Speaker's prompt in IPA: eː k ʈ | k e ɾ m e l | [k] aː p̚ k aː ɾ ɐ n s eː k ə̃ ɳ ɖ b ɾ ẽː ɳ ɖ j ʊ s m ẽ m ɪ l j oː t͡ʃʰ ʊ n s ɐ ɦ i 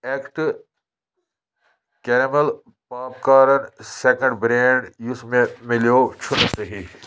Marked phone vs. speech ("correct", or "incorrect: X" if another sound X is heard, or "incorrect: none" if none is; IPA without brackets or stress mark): incorrect: p